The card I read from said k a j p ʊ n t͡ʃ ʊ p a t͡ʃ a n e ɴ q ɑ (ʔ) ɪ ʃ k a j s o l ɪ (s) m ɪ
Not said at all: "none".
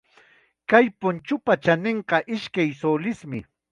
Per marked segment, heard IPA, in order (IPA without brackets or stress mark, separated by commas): ʔ, s